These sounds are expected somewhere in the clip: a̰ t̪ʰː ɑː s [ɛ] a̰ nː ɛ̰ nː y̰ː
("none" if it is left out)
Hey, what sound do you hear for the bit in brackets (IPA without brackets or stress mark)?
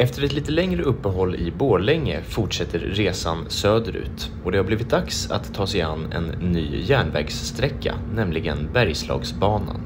ɛ